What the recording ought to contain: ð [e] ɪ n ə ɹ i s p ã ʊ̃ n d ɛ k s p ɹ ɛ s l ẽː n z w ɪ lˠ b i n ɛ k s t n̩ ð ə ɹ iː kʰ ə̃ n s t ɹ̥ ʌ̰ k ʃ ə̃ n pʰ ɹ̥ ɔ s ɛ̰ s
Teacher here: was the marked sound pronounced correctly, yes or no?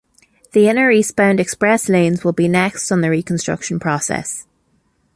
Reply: no